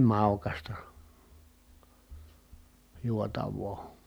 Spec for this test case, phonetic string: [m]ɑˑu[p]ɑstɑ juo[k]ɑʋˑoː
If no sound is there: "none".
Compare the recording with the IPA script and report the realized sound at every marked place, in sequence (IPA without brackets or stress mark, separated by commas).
m, k, t